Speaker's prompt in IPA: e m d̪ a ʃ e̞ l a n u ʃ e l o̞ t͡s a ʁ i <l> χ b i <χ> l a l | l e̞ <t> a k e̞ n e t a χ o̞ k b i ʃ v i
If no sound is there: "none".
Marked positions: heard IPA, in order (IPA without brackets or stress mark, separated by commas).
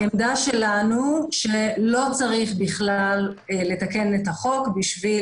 none, χ, t